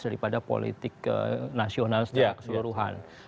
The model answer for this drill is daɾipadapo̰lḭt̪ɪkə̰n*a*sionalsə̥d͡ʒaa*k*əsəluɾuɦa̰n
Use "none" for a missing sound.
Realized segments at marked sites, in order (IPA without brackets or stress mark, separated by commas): a, k